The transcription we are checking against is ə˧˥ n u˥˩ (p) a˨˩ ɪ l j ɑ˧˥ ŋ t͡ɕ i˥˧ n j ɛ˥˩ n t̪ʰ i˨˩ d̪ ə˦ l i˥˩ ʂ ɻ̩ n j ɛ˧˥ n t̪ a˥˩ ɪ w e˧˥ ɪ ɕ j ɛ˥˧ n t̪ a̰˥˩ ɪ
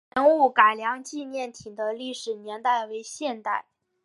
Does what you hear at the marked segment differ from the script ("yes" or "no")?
yes